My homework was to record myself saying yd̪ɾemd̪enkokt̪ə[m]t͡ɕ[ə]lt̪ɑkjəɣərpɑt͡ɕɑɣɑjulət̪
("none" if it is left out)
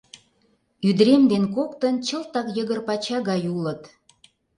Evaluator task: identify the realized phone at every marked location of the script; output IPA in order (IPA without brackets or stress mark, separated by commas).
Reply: n, ə